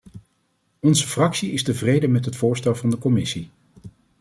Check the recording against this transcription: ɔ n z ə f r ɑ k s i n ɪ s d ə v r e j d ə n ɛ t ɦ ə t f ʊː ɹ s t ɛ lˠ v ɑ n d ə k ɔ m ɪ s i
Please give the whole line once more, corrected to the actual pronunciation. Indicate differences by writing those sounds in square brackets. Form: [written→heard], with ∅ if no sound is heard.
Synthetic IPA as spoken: ɔ n z ə f r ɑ k s i [n→∅] ɪ s [d→t] ə v r e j d ə [n→m] ɛ t ɦ ə t f ʊː ɹ s t ɛ lˠ v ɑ n d ə k ɔ m ɪ s i